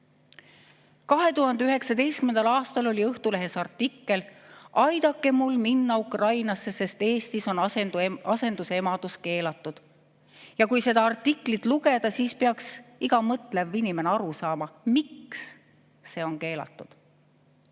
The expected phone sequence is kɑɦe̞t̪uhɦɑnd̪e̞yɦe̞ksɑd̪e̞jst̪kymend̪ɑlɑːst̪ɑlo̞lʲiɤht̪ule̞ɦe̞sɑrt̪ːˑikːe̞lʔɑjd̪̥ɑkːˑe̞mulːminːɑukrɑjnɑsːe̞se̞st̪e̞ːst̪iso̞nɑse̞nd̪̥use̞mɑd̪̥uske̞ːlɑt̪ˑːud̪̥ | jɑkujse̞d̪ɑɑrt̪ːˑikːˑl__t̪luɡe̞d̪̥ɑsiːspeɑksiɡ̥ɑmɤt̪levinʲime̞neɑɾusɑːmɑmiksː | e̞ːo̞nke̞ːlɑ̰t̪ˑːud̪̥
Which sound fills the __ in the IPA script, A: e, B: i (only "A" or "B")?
B